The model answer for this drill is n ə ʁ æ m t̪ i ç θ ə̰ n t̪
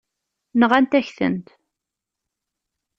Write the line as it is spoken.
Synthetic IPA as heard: n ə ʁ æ n t̪ æ ç θ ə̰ n t̪